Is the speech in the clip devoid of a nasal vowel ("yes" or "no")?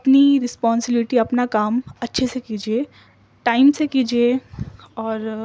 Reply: yes